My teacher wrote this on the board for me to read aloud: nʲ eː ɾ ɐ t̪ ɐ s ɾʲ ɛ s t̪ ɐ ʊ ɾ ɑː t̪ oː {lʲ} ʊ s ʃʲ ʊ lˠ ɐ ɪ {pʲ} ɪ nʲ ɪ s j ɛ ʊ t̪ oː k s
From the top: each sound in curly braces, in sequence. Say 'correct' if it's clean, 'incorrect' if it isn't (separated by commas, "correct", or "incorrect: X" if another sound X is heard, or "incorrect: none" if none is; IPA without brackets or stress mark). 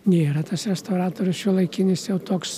incorrect: ɾʲ, incorrect: kʲ